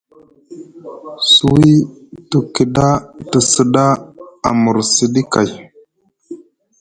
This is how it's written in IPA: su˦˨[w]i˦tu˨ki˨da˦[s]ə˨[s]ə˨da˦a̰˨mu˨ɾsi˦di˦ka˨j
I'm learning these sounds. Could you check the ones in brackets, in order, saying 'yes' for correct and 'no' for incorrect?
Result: yes, no, yes

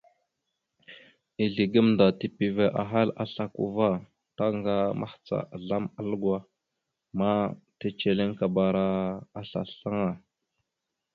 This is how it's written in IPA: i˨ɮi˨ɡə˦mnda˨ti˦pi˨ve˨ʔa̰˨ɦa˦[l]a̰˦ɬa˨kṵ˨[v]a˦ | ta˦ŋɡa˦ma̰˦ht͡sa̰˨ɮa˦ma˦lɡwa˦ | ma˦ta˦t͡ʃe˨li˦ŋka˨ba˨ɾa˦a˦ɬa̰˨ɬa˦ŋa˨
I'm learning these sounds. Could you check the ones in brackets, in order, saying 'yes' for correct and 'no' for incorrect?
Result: yes, yes

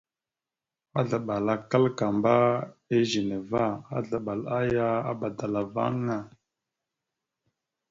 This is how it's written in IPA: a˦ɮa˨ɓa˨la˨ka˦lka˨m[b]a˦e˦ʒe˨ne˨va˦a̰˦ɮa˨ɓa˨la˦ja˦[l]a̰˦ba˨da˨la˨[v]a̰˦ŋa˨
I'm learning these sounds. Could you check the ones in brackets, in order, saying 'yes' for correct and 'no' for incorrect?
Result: yes, no, yes

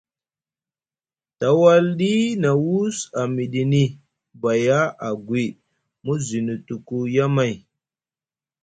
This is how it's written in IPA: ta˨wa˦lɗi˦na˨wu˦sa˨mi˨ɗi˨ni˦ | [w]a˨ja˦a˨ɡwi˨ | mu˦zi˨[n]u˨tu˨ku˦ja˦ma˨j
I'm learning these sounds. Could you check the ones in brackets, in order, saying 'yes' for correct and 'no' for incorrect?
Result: no, yes

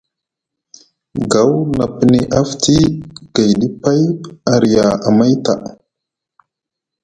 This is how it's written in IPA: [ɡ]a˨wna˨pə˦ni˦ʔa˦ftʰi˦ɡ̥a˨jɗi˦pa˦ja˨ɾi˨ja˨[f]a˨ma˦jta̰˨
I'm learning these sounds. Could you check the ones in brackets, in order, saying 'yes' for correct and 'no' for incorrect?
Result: yes, no

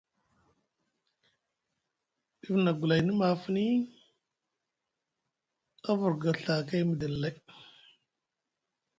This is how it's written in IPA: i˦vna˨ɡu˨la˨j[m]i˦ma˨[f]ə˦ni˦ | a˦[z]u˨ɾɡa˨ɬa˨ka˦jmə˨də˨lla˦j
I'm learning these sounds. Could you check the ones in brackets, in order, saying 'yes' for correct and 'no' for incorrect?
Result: no, yes, no

